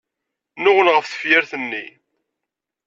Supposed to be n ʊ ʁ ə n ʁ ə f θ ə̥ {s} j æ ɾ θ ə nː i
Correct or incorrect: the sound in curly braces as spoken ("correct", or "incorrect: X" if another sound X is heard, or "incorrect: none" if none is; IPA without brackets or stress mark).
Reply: incorrect: f